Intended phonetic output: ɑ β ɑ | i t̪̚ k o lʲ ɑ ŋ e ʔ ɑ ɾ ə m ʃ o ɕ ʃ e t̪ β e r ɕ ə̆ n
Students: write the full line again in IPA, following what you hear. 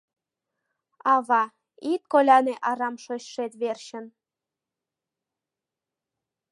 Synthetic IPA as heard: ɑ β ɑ | i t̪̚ k o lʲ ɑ n e ʔ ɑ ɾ ɑ m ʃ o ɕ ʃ e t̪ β e r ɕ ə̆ n